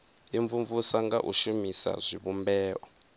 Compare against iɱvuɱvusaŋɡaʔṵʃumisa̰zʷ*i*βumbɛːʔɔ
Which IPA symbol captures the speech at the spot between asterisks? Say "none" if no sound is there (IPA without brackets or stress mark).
i